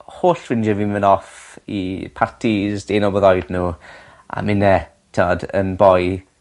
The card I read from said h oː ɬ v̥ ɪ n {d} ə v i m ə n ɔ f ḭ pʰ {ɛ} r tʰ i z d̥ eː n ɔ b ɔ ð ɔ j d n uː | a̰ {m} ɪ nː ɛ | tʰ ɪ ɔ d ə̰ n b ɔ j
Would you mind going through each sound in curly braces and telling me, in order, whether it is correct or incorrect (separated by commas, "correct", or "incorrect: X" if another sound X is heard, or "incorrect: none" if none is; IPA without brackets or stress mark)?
incorrect: d͡ʒ, incorrect: a, correct